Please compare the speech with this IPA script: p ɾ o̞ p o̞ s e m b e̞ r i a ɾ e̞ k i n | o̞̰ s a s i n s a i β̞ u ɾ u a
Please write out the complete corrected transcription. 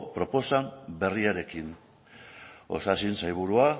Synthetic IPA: p ɾ o̞ p o̞ s a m b e̞ r i a ɾ e̞ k i n | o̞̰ s a s i n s a j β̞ u ɾ u a